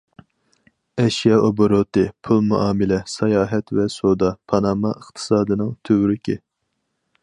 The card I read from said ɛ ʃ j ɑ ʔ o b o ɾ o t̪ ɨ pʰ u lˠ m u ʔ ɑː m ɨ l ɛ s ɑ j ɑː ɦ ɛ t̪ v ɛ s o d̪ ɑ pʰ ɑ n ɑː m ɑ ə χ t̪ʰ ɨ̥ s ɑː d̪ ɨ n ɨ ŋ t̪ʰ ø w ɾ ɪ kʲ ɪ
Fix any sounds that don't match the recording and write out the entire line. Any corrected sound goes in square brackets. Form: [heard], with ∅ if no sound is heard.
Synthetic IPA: ɛ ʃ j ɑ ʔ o b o ɾ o t̪ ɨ pʰ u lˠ m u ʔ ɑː m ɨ l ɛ s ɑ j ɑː ɦ ɛ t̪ v ɛ s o d̪ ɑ pʰ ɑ n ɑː m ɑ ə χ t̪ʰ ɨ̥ s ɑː d̪ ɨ n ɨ ŋ t̪ʰ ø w ɾ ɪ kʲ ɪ